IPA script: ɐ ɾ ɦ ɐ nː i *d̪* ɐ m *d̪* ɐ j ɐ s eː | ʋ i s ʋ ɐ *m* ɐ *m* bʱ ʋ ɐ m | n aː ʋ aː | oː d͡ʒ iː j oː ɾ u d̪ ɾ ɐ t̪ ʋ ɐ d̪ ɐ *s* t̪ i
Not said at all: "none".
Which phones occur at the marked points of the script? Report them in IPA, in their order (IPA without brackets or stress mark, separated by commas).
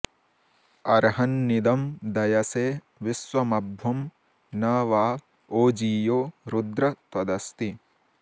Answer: d̪, d̪, m, none, s